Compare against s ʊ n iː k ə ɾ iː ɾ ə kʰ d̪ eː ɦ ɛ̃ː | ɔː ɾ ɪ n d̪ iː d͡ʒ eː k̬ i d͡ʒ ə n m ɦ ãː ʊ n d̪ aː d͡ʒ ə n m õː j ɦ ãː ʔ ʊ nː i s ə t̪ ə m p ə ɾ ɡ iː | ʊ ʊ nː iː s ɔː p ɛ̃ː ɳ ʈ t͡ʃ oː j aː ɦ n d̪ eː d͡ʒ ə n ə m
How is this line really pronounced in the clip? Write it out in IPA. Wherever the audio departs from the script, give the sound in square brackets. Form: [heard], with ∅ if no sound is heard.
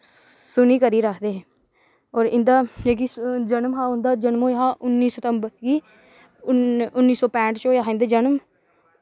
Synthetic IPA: s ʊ n iː k ə ɾ iː ɾ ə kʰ d̪ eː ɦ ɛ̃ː | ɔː ɾ ɪ n d̪ [aː] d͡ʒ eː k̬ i d͡ʒ ə n m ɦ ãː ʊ n d̪ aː d͡ʒ ə n m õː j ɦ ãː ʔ ʊ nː [iː] s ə t̪ ə m [b] ə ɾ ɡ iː | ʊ ʊ nː iː s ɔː p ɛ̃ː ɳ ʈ t͡ʃ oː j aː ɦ n d̪ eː d͡ʒ ə n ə m